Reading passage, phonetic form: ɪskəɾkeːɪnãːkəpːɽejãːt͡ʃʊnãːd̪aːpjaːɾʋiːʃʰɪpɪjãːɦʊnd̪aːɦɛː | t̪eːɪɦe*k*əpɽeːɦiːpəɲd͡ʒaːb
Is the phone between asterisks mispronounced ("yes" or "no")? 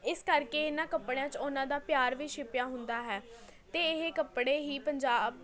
no